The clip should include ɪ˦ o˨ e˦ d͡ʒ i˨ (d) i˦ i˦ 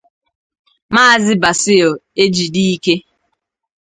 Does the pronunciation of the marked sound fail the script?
no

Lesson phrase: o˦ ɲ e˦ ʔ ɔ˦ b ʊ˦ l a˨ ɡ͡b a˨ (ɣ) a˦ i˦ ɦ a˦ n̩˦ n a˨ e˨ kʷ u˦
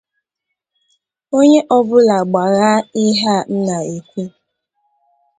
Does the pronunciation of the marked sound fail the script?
no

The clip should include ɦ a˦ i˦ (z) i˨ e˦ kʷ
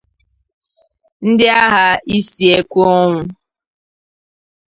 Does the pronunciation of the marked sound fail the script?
yes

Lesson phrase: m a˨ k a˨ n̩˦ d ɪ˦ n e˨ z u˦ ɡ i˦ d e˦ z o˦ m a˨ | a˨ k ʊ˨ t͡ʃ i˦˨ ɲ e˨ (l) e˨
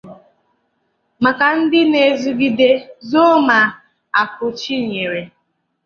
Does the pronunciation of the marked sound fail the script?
yes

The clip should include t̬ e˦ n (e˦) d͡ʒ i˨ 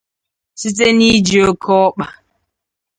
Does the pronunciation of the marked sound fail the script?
yes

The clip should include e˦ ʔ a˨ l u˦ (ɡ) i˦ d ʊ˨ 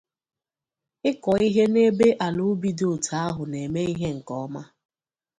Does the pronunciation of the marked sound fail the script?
yes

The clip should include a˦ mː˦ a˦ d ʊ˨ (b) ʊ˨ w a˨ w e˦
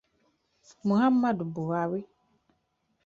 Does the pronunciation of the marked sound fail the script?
no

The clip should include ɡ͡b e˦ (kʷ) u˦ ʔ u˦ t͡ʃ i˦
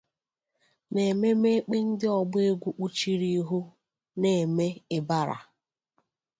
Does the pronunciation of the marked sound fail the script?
yes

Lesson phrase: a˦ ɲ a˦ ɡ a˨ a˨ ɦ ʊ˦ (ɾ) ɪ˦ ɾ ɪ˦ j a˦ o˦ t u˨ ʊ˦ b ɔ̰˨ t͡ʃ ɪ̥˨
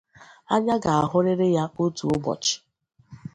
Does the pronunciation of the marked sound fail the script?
no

